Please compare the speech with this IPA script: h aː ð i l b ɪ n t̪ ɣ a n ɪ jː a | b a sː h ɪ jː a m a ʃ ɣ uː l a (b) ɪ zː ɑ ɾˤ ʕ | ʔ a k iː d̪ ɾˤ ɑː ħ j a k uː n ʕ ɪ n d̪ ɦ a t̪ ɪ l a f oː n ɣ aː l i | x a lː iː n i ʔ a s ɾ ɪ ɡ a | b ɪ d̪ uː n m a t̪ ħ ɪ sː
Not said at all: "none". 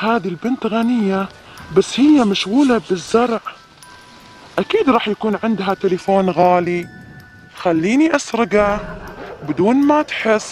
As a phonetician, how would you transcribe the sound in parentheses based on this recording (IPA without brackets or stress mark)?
b